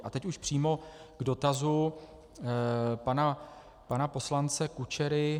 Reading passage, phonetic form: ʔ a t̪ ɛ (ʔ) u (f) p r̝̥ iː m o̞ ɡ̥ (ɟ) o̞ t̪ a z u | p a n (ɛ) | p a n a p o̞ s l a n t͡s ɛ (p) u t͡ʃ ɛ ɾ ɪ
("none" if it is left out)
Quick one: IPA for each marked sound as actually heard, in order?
c, ʃ, d, a, k

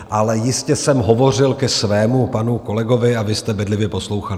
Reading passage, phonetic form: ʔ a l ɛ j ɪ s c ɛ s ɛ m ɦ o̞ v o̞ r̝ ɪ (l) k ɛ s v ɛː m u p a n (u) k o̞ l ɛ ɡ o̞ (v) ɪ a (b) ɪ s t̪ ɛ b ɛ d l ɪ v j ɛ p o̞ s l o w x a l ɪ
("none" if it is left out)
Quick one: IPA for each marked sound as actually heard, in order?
l, u, v, v

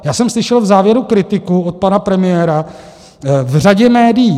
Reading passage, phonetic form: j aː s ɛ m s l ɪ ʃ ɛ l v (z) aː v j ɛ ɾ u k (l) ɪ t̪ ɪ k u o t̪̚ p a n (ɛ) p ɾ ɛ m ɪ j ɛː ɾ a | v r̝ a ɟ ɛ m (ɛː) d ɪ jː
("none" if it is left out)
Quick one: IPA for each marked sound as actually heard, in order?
z, ɾ, a, ɛː

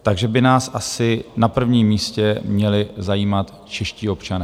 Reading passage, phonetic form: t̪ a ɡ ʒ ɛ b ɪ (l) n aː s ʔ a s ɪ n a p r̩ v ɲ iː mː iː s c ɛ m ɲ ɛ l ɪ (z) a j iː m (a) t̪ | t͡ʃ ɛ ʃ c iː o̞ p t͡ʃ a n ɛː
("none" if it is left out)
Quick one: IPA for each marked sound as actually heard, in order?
none, z, a

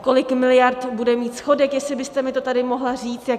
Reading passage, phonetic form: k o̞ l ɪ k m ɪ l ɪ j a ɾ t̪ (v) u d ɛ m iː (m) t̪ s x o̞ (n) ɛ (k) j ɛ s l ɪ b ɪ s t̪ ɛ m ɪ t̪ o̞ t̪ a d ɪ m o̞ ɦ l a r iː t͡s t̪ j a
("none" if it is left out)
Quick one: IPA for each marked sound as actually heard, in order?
b, none, d, k

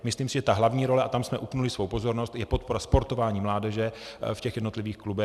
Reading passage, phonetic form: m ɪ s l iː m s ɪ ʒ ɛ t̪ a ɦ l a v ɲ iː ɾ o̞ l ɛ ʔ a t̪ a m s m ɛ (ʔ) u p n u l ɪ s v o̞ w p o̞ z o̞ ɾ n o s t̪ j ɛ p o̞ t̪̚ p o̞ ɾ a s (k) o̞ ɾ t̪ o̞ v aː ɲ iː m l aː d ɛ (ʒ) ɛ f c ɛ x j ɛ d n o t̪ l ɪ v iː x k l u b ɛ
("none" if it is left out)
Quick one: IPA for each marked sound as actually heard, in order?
ʔ, p, ʒ

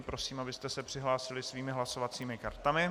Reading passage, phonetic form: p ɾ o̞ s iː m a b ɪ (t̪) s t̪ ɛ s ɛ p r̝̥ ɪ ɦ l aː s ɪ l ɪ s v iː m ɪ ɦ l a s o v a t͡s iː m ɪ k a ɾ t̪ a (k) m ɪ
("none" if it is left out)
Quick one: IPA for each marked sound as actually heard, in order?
none, none

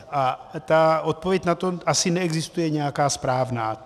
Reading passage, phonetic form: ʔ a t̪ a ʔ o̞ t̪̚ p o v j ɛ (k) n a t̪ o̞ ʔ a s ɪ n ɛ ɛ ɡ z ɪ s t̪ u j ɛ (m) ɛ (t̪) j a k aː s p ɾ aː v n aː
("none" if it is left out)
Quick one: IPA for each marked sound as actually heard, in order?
c, ɲ, none

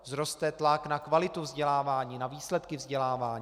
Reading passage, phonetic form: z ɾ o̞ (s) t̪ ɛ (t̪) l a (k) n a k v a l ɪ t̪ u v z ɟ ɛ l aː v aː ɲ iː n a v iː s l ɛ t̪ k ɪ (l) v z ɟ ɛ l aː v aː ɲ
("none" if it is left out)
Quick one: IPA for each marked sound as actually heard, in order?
s, t̪, k, none

